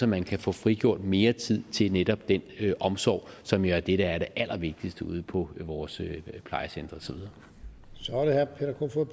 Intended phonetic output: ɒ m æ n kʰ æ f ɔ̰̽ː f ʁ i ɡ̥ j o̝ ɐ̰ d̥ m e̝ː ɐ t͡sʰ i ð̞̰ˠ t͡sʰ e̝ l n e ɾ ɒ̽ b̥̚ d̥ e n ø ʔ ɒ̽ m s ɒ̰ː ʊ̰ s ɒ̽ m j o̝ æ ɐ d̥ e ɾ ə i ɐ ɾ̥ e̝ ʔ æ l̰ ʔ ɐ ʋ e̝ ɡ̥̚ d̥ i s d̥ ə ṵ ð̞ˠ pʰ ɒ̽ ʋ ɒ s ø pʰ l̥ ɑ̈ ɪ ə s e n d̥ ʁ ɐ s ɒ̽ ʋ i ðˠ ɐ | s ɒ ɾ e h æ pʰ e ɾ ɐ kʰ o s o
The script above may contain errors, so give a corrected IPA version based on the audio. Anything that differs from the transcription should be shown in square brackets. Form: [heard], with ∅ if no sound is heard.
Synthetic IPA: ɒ m æ n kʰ æ f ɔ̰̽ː f ʁ i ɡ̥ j o̝ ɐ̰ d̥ m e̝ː ɐ t͡sʰ i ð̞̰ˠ t͡sʰ e̝ l n e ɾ ɒ̽ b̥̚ d̥ e n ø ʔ ɒ̽ m s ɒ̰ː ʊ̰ s ɒ̽ m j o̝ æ ɐ d̥ e ɾ ə [æ] ɐ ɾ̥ e̝ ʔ æ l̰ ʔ ɐ ʋ e̝ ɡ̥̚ d̥ i s d̥ ə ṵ ð̞ˠ pʰ ɒ̽ ʋ [ɒː] s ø pʰ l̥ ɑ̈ ɪ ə s e n d̥ ʁ ɐ s ɒ̽ ʋ i ðˠ ɐ | s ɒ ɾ e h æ pʰ e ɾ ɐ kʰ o [f] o